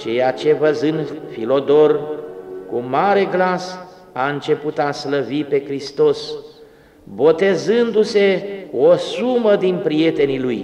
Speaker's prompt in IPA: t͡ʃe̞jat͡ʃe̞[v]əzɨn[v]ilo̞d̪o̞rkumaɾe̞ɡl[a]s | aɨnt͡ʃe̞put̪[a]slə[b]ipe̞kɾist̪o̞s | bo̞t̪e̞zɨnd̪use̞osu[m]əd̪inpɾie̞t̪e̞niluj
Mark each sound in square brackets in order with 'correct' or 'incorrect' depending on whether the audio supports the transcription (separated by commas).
correct, incorrect, correct, correct, incorrect, correct